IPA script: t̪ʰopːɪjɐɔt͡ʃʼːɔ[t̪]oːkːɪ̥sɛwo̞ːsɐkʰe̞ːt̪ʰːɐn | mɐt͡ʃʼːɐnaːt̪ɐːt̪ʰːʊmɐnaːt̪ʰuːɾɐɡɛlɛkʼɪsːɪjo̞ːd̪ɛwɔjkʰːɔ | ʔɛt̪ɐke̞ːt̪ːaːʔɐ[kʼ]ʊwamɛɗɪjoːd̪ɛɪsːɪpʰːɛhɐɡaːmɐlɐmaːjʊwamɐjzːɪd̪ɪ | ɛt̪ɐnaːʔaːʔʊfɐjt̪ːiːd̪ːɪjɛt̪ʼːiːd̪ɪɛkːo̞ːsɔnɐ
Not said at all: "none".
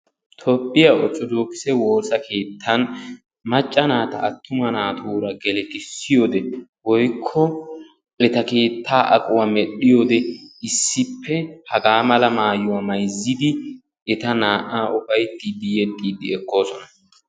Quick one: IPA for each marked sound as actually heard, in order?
d̪, kʼ

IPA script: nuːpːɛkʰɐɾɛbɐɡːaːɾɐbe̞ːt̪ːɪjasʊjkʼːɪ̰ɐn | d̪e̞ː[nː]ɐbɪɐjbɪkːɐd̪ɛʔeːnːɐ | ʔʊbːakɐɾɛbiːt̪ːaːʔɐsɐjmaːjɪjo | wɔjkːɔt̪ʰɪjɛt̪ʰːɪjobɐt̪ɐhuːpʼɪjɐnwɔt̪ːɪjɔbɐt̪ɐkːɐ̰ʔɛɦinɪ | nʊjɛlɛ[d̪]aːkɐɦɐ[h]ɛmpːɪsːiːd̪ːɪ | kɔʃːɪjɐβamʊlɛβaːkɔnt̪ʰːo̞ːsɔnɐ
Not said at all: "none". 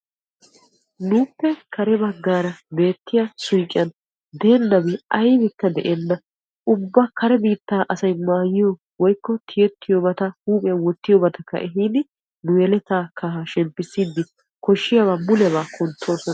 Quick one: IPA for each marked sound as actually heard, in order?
nː, t̪, ʃ

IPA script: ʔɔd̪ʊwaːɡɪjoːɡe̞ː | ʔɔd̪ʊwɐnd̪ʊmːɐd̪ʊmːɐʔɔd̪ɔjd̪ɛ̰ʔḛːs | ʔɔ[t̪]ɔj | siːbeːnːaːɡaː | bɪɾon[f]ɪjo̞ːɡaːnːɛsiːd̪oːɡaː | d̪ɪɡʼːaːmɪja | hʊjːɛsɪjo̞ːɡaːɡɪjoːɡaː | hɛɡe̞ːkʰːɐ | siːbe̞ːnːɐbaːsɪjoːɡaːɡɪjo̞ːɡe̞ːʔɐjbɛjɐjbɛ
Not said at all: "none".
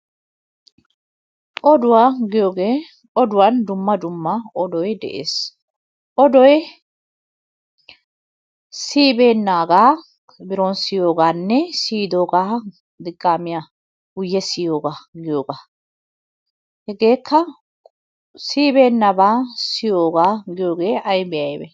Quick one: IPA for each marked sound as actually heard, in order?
d̪, s

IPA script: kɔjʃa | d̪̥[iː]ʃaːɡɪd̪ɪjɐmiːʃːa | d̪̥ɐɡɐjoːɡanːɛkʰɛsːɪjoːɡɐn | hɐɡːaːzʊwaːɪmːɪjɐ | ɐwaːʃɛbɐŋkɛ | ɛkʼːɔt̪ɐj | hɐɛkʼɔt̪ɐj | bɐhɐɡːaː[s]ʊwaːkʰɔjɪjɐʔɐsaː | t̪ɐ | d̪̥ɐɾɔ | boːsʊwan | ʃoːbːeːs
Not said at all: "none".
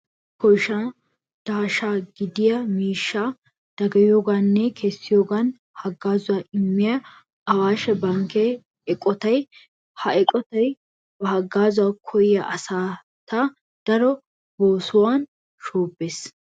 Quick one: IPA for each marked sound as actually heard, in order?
aː, z

